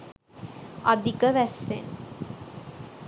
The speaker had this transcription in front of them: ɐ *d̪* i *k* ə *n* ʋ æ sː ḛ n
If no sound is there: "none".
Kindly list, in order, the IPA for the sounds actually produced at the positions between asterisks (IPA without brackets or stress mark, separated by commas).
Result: d̪, k, none